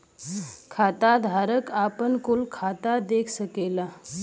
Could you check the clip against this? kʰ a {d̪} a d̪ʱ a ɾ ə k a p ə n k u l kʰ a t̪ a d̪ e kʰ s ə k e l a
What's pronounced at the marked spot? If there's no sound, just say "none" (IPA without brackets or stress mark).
t̪